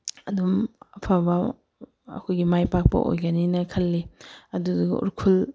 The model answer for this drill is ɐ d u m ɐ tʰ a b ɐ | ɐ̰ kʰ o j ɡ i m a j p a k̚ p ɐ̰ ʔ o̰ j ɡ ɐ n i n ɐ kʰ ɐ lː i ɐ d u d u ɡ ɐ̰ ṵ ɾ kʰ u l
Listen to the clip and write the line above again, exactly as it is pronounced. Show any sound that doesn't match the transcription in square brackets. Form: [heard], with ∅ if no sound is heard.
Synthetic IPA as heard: ɐ d u m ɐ [pʰ] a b ɐ | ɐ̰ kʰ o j ɡ i m a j p a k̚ p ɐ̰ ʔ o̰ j ɡ ɐ n i n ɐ kʰ ɐ lː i ɐ d u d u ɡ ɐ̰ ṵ ɾ kʰ u l